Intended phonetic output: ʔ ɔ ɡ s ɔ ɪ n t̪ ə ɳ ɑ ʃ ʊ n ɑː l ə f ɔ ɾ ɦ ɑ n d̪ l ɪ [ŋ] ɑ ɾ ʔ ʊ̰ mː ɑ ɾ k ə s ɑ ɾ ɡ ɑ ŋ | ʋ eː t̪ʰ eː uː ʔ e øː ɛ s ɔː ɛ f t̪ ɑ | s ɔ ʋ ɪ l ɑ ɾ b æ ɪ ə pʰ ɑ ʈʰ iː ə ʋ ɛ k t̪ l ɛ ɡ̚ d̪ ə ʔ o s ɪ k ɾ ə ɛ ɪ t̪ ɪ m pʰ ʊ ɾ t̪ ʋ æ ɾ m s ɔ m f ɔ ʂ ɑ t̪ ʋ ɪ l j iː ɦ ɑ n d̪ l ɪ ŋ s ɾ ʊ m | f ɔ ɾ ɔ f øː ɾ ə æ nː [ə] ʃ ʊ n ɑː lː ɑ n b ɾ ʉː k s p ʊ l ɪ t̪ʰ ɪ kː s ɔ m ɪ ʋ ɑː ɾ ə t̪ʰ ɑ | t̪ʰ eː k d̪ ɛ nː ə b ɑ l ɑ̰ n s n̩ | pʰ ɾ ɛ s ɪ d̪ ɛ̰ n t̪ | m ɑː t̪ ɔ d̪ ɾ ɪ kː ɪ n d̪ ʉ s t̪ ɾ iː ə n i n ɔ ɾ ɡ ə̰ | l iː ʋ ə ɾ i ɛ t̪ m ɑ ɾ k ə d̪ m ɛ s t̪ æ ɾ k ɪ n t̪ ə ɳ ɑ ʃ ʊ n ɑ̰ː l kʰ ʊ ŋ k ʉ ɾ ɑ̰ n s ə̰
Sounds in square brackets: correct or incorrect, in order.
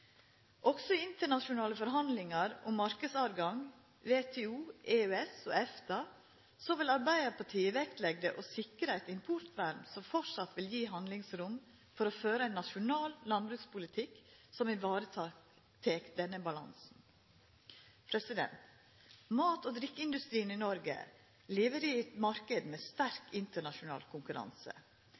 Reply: correct, incorrect: ɑ

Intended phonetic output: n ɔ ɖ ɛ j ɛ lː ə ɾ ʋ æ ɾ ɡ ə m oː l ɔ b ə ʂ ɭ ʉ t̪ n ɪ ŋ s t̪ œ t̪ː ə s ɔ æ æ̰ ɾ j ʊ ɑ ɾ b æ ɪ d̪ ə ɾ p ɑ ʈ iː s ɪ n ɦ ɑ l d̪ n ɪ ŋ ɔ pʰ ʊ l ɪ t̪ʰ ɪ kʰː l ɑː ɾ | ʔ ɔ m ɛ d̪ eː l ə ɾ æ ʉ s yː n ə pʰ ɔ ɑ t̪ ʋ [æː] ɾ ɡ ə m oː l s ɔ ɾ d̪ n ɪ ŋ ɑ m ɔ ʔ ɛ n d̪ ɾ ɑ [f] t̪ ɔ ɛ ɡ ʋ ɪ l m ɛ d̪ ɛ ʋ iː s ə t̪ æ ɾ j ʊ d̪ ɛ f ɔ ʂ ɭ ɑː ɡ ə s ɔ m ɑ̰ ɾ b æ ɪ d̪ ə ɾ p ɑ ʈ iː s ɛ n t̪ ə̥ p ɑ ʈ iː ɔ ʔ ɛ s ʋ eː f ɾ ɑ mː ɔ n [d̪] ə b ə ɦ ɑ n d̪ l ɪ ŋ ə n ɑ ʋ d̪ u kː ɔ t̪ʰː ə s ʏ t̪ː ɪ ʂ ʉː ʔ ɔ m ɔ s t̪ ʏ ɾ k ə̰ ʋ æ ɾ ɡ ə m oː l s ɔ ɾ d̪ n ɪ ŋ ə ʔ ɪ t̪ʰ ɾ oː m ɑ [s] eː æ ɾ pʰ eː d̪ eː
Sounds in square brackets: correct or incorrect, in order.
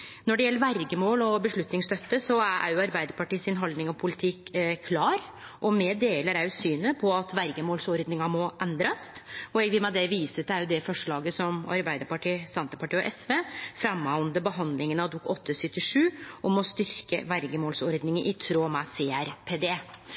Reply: incorrect: æ, incorrect: s, correct, correct

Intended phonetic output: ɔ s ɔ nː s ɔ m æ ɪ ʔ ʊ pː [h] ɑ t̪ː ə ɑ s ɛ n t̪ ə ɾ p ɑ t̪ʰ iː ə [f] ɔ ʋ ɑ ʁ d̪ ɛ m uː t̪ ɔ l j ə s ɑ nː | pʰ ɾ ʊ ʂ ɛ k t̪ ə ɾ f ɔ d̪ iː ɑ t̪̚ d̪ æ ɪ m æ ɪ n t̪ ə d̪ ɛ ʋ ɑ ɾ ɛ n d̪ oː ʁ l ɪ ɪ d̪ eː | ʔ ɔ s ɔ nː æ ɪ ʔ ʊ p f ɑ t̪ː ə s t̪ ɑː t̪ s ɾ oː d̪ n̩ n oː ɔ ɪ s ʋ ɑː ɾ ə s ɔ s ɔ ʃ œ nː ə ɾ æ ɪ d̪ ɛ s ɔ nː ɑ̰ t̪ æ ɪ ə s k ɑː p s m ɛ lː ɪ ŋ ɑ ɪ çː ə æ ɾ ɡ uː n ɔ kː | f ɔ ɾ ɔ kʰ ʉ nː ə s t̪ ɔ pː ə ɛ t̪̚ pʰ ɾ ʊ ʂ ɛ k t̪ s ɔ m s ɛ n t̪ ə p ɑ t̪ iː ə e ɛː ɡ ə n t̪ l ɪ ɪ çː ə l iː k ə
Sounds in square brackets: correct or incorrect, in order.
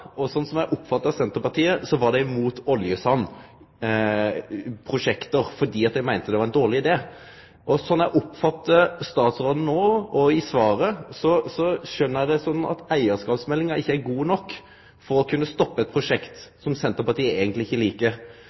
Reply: incorrect: f, incorrect: s

